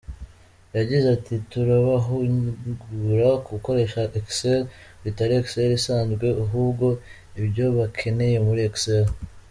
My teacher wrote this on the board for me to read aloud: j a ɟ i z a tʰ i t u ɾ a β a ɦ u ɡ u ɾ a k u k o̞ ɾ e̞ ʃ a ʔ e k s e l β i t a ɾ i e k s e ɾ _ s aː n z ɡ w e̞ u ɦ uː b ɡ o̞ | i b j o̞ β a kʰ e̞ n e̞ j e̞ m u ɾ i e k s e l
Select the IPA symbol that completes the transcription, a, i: i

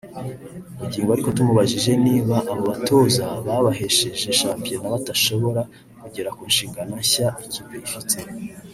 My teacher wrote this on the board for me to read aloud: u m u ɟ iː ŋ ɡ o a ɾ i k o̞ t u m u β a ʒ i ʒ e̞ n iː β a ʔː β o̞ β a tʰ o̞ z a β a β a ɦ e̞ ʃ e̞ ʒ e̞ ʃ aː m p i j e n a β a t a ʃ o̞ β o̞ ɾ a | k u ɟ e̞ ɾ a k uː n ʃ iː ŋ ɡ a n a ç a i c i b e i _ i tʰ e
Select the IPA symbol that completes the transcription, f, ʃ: f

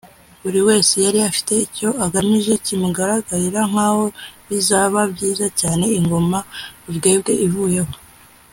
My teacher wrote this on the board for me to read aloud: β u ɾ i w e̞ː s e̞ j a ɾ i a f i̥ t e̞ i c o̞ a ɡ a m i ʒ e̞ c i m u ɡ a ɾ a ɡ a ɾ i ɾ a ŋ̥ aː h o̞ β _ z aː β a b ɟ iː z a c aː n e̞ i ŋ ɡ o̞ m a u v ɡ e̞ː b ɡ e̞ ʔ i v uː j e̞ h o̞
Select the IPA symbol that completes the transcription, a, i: i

